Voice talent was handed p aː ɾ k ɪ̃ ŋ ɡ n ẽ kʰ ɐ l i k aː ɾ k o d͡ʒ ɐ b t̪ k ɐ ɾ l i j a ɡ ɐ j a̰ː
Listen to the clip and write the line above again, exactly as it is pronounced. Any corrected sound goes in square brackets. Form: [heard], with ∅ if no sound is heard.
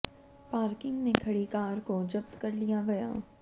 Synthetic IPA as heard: p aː ɾ k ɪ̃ ŋ ɡ [m] ẽ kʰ ɐ [ɽ] i k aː ɾ k o d͡ʒ ɐ b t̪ k ɐ ɾ l i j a ɡ ɐ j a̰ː